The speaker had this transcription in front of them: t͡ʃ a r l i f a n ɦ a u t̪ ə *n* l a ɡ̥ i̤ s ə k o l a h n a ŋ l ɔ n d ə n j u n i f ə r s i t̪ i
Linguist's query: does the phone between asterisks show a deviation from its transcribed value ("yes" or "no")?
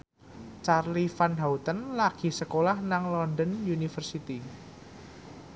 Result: no